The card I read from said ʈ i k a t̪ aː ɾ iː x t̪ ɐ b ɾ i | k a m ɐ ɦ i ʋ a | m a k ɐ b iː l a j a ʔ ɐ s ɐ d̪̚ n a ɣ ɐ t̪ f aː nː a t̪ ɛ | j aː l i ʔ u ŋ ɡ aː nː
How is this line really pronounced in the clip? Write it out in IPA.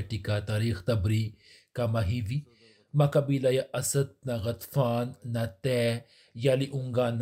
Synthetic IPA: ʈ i k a t̪ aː ɾ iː x t̪ ɐ b ɾ i | k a m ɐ ɦ i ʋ i | m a k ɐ b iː l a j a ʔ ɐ s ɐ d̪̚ n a ɣ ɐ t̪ f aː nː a t̪ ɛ | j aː l i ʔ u ŋ ɡ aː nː